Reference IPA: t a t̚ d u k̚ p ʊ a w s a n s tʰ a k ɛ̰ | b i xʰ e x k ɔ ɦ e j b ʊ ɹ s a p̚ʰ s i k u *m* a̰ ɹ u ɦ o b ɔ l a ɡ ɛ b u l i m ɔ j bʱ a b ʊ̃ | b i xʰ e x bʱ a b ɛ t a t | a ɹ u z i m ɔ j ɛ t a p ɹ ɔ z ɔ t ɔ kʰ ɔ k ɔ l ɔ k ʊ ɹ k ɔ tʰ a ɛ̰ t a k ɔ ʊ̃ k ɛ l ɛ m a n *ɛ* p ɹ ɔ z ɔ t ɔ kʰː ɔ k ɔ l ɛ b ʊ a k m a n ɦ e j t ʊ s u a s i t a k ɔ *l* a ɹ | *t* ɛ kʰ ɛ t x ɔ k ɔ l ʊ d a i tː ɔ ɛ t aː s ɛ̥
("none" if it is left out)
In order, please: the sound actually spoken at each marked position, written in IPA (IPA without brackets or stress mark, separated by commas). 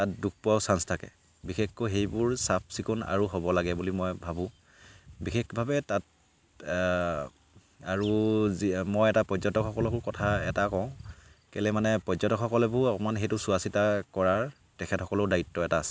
n, ɛ, ɹ, t